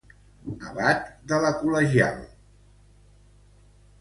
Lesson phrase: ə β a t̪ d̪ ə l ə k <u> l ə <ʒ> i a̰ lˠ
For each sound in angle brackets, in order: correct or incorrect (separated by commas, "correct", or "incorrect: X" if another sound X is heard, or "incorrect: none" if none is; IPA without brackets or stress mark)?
correct, correct